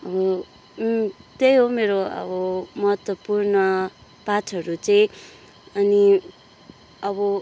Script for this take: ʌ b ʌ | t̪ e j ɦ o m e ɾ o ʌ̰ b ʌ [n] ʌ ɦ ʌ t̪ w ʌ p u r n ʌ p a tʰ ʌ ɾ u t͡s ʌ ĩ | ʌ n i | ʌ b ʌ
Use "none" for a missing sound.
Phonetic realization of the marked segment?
m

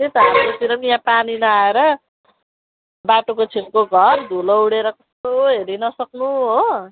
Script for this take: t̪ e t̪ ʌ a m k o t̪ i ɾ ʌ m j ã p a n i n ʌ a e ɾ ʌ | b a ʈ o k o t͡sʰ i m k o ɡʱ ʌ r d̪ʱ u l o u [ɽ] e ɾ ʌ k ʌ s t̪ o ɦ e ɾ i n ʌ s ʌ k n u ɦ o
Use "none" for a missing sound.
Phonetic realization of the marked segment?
ɽ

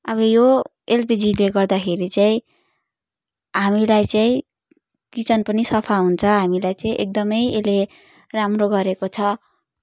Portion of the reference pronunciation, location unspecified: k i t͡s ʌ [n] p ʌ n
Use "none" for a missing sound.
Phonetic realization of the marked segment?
n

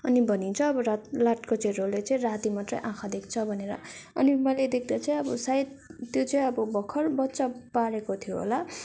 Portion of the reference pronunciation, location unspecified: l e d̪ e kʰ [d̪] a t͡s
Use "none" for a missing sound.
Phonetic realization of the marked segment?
d̪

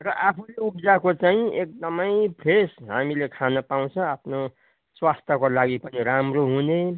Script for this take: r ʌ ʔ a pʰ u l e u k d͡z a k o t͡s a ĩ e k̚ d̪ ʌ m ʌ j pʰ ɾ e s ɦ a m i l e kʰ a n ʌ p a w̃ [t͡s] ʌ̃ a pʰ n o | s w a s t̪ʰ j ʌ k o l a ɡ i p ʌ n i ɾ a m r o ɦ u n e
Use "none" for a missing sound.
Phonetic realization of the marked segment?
t͡sʰ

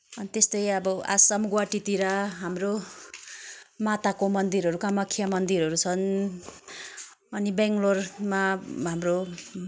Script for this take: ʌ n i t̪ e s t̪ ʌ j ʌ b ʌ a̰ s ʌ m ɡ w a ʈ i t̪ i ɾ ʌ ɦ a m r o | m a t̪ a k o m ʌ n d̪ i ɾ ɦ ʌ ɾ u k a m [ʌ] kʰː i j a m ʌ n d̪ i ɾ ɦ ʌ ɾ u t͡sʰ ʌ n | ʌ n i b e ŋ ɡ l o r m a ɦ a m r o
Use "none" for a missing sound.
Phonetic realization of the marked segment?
ʌ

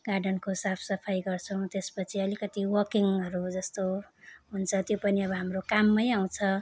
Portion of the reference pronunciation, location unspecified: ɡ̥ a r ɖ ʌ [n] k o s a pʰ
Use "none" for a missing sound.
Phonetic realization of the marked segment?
n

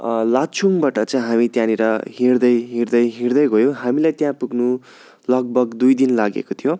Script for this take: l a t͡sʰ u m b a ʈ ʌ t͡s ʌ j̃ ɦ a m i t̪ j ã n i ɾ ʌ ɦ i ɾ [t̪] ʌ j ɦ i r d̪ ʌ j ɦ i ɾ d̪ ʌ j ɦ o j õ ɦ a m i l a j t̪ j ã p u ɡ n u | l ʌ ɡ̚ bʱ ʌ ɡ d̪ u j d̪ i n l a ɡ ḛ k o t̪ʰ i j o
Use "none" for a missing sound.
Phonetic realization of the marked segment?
d̪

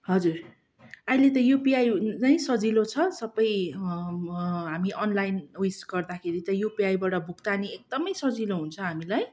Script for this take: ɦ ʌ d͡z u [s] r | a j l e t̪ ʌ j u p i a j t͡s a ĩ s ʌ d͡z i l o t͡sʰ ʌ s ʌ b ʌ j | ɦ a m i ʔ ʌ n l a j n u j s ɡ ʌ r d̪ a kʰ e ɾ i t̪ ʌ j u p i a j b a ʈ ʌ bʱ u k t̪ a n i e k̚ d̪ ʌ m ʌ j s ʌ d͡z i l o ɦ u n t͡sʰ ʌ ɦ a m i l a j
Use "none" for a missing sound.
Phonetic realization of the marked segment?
none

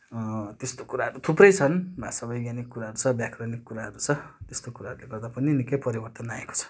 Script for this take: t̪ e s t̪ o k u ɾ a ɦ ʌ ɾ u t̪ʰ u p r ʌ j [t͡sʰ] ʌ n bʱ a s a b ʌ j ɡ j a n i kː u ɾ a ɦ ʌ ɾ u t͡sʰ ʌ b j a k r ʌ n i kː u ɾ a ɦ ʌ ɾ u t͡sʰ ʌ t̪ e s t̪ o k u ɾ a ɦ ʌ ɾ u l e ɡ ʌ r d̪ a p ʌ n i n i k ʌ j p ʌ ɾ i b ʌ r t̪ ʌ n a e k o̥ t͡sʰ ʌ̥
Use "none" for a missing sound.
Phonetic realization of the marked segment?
t͡sʰ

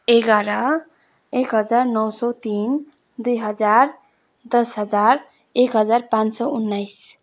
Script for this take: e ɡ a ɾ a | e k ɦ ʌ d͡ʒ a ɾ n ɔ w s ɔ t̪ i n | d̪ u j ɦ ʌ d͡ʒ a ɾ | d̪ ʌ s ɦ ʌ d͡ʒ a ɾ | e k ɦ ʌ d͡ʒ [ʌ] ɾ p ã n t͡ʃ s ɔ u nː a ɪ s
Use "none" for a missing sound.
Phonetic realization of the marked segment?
a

